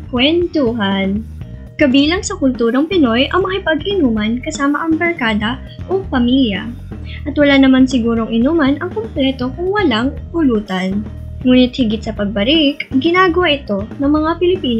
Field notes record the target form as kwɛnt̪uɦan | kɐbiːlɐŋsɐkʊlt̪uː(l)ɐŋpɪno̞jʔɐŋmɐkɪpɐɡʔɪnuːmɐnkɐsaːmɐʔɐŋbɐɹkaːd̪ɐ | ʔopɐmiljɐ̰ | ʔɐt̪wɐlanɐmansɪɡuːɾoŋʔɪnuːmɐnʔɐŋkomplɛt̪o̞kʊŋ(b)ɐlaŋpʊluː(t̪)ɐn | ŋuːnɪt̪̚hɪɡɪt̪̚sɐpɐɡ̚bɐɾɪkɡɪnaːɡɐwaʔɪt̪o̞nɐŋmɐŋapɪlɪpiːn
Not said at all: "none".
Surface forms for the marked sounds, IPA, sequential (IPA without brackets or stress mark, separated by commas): ɾ, w, t̪